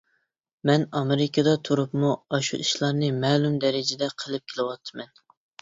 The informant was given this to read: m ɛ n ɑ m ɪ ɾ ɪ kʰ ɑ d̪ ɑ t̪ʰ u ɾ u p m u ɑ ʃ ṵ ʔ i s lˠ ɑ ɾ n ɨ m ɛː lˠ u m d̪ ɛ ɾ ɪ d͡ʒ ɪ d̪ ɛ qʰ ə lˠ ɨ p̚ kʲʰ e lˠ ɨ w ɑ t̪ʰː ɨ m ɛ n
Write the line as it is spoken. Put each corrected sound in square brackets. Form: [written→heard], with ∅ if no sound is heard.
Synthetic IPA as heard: m ɛ n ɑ m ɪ ɾ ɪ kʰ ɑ d̪ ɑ t̪ʰ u ɾ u p m u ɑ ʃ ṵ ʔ i [s→ʃ] lˠ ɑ ɾ n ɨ m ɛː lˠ u m d̪ ɛ ɾ ɪ d͡ʒ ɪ d̪ ɛ qʰ ə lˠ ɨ p̚ kʲʰ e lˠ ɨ w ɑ t̪ʰː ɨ m ɛ n